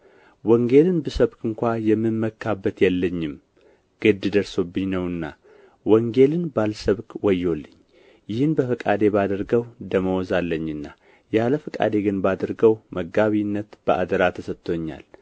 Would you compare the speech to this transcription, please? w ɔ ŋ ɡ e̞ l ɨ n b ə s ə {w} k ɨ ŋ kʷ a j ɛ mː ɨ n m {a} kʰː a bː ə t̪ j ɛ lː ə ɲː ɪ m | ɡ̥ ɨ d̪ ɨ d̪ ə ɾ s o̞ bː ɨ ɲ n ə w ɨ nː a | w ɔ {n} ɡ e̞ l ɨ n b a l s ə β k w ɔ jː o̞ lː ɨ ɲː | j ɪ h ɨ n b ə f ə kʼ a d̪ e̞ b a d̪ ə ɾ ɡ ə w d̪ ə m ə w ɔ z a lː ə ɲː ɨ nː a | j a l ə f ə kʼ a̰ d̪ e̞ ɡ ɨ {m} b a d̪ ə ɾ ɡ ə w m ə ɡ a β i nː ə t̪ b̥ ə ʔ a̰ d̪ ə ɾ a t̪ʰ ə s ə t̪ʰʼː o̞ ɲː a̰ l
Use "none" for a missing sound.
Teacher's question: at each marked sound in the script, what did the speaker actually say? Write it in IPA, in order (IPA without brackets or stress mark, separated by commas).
β, ə, ŋ, n